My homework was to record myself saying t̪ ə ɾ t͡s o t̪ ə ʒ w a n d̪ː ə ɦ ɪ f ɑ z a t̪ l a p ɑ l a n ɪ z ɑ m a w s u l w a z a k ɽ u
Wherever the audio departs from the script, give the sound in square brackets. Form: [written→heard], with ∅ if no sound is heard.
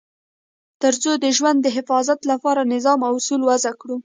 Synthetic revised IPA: t̪ ə ɾ t͡s o [t̪→d̪] ə ʒ w a n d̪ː ə ɦ ɪ f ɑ z a t̪ l a p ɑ [l→ɾ] a n ɪ z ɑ m a w s u l w a z a k ɽ u